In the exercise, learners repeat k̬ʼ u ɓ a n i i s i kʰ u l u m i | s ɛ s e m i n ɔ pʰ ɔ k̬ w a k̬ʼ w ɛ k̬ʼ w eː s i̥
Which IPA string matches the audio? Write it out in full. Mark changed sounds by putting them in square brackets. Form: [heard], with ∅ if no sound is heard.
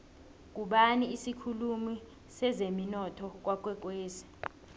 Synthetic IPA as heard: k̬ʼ u ɓ a n i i s i kʰ u l u m i | s ɛ [z] e m i n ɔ [tʰ] ɔ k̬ w a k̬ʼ w ɛ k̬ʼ w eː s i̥